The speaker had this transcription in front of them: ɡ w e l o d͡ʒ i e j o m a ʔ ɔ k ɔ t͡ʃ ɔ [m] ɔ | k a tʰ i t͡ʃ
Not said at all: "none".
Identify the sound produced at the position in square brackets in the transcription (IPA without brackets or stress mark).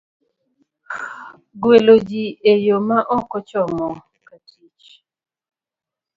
m